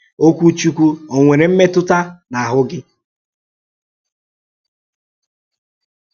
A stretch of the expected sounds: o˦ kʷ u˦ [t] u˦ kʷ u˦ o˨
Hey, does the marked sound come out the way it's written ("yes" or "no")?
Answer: no